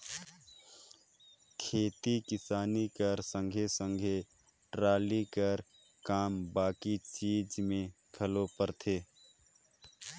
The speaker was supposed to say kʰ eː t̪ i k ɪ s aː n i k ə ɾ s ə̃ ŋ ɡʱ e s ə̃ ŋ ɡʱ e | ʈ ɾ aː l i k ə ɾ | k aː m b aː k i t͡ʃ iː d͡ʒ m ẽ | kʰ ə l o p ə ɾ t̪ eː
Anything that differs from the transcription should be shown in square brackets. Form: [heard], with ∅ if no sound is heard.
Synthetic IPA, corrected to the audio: kʰ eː t̪ i k ɪ s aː n i k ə ɾ s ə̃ ŋ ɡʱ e s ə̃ ŋ ɡʱ e | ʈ ɾ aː l i k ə ɾ | k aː m b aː k i t͡ʃ iː d͡ʒ m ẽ | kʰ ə l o p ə ɾ [t̪ʰ] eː